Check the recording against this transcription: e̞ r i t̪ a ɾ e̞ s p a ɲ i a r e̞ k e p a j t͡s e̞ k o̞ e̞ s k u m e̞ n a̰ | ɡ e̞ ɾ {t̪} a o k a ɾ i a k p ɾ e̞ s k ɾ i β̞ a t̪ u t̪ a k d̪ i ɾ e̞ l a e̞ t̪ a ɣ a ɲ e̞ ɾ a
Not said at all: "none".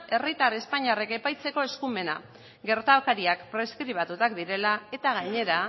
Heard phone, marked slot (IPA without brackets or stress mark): t̪